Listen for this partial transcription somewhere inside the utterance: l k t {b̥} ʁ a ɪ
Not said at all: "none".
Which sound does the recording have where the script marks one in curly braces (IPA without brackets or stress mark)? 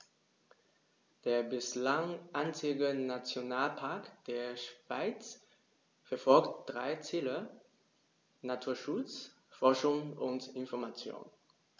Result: d̥